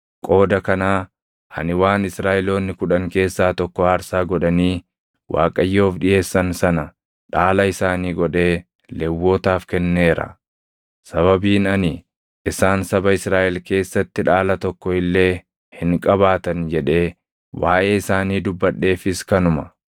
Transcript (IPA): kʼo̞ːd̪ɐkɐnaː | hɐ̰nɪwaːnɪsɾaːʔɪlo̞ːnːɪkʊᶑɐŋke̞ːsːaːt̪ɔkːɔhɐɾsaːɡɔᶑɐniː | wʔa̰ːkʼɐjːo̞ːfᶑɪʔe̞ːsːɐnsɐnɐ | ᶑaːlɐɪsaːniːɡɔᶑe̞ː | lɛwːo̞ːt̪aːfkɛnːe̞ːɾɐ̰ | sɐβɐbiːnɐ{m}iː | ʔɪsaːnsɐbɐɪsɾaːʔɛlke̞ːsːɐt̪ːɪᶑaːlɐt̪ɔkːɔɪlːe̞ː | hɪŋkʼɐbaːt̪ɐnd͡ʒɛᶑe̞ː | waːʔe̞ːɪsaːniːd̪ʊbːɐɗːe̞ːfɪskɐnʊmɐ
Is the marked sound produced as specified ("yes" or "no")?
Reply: no